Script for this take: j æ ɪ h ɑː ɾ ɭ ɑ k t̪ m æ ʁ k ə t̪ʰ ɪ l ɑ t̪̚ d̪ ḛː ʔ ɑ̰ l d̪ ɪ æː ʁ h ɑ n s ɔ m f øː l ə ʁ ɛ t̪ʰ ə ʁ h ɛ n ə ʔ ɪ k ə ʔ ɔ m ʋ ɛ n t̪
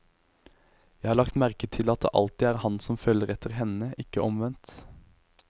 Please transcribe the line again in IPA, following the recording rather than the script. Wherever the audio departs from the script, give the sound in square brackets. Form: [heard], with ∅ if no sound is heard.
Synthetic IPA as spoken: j æ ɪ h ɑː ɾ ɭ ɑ k t̪ m æ ʁ k ə t̪ʰ ɪ l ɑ t̪̚ d̪ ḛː ʔ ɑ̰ l [t̪] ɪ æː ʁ h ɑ n s ɔ m f øː l ə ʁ ɛ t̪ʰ ə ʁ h ɛ n ə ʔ ɪ k ə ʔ ɔ m ʋ ɛ n t̪